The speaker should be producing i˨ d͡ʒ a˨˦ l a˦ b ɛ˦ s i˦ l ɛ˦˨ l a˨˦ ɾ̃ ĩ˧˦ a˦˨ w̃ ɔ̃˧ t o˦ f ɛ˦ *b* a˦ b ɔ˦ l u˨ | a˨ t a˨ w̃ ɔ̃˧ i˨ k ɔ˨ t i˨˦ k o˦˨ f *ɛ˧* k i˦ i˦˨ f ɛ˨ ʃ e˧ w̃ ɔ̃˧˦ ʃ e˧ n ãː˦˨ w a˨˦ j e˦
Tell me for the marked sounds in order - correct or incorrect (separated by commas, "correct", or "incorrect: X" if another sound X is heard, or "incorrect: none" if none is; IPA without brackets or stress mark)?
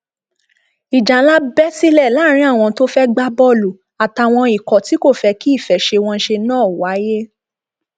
incorrect: ɡ͡b, correct